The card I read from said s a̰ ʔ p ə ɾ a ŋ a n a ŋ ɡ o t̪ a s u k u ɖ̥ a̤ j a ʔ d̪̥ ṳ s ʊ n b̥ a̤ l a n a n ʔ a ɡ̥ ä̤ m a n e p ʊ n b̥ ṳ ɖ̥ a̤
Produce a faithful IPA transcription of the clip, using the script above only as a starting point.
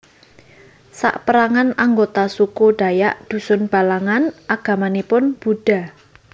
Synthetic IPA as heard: s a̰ ʔ p ə ɾ a ŋ a n a ŋ ɡ o t̪ a s u k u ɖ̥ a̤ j a ʔ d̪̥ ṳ s ʊ n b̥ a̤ l a ŋ a n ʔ a ɡ̥ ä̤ m a n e p ʊ n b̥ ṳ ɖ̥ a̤